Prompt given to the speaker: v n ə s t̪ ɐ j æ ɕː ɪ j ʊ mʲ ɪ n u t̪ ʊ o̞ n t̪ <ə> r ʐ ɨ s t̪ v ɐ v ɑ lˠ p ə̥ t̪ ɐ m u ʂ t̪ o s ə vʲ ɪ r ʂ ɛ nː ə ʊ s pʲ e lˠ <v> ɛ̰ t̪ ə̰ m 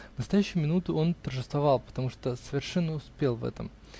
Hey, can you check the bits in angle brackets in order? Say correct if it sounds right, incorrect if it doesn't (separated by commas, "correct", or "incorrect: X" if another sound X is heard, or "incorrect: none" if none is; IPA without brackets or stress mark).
correct, correct